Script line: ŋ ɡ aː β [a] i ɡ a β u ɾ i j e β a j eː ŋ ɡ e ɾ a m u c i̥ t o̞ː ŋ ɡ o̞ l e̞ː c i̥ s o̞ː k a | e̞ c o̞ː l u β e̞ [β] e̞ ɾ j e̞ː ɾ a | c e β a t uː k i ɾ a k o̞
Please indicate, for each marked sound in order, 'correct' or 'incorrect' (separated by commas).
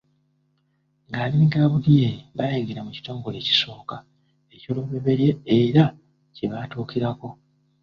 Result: incorrect, correct